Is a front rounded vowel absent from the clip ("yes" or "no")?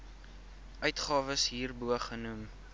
no